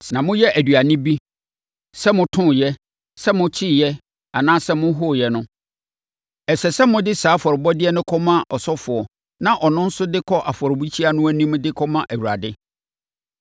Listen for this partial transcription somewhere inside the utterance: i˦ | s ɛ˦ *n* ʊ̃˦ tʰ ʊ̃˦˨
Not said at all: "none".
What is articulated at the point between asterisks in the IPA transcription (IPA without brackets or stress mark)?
m